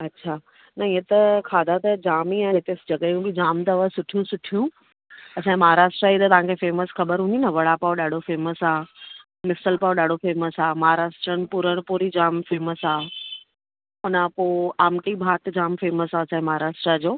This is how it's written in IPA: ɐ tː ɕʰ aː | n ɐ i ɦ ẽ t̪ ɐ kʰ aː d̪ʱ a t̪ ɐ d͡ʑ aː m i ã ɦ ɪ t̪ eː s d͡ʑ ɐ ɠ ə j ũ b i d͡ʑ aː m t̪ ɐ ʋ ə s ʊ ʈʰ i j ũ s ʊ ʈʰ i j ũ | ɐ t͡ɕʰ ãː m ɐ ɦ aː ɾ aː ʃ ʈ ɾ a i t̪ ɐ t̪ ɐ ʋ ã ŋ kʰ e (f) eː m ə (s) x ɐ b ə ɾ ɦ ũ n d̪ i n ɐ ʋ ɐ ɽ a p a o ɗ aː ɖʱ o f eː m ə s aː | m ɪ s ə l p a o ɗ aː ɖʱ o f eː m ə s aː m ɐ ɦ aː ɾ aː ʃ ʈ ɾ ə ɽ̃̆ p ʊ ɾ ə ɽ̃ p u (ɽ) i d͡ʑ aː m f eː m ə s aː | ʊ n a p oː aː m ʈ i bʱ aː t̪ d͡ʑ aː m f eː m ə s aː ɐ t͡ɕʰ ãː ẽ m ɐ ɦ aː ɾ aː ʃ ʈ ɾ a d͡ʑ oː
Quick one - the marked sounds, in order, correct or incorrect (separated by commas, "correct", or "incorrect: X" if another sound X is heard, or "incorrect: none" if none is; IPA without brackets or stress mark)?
correct, correct, incorrect: ɾ